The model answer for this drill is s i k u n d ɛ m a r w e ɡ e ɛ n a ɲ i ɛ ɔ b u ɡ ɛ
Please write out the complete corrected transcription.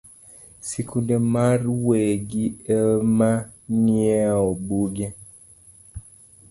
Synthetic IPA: s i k u n d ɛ m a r w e ɡ i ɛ m a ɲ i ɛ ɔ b u ɡ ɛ